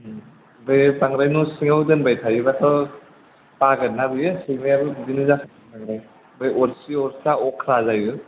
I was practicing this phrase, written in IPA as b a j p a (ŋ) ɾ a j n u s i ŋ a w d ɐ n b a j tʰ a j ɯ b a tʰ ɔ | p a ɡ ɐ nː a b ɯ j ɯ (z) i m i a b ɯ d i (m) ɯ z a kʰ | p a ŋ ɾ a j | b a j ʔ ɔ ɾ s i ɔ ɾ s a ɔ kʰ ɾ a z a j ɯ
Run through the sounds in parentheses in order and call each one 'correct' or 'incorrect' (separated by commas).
correct, incorrect, incorrect